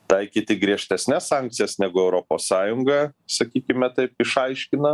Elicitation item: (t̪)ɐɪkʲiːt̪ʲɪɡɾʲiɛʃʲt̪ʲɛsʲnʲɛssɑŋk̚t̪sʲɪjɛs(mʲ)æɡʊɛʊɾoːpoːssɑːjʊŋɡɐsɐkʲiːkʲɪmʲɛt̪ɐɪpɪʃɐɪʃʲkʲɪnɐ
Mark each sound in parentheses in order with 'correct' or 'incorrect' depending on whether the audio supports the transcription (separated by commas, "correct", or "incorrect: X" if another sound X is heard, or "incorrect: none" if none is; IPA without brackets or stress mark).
correct, incorrect: nʲ